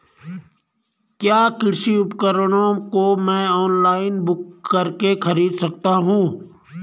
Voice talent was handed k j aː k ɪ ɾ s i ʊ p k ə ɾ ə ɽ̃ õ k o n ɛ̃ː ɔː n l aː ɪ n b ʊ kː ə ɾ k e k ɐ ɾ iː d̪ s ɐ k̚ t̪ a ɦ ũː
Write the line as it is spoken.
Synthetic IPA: k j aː k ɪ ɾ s i ʊ p k ə ɾ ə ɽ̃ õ k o m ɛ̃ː ɔː n l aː ɪ n b ʊ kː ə ɾ k e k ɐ ɾ iː d̪ s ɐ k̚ t̪ a ɦ ũː

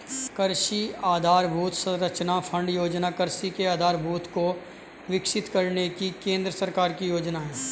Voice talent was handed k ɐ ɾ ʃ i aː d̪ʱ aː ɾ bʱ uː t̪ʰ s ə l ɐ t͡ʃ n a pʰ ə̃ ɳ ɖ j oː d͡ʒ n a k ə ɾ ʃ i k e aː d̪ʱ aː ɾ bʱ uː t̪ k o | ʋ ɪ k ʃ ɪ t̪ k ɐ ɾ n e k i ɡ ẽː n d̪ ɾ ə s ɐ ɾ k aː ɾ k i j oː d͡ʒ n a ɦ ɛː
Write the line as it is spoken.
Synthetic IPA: k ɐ ɾ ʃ i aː d̪ʱ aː ɾ bʱ uː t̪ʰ s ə ɾ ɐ t͡ʃ n a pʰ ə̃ ɳ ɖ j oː d͡ʒ n a k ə ɾ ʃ i k e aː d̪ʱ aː ɾ bʱ uː t̪ k o | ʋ ɪ k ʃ ɪ t̪ k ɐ ɾ n e k i k ẽː n d̪ ɾ ə s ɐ ɾ k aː ɾ k i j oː d͡ʒ n a ɦ ɛː

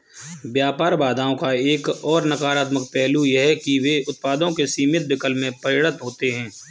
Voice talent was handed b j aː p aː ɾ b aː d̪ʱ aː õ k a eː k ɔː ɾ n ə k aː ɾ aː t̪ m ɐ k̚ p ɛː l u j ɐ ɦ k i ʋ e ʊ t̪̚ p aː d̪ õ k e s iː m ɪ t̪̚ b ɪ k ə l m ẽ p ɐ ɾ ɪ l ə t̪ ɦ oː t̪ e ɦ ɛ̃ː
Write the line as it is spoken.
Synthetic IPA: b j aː p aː ɾ b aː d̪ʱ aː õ k a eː k ɔː ɾ n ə k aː ɾ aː t̪ m ə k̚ p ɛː l u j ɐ ɦ k i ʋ e ʊ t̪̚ p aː d̪ õ k e s iː m ɪ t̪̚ b ɪ k ə l m ẽ p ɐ ɾ ɪ ɽ ə t̪ ɦ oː t̪ e ɦ ɛ̃ː

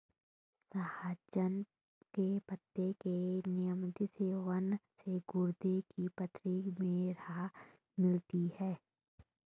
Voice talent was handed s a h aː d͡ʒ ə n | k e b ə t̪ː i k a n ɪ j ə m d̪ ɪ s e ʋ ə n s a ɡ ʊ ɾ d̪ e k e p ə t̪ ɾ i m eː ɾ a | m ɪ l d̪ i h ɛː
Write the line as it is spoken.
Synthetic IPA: s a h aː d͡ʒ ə n | k e p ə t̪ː e k e n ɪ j ə m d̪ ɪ s e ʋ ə n s e ɡ ʊ ɾ d̪ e k i p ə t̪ ɾ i m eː ɾ a | m ɪ l t̪ i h ɛː

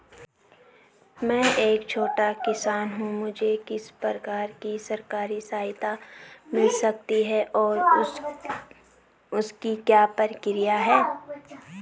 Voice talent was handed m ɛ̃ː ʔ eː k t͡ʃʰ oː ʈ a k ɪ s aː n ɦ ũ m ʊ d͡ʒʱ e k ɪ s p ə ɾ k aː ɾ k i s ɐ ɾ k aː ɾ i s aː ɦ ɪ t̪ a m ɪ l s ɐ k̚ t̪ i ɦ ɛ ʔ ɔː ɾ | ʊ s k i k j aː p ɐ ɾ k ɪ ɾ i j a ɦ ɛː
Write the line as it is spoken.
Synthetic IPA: m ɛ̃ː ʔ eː k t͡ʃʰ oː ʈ a k ɪ s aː n ɦ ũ m ʊ d͡ʒʱ e k ɪ s p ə ɾ k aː ɾ k i s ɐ ɾ k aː ɾ i s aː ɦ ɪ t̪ a m ɪ l s ɐ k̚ t̪ i ɦ ɛ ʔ ɔː ɾ | ʊ s k i k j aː p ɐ ɾ k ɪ ɾ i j a ɦ ɛː

